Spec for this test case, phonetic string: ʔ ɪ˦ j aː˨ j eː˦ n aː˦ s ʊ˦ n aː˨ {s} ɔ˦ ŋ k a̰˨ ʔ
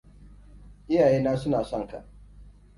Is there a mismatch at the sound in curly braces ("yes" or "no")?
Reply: no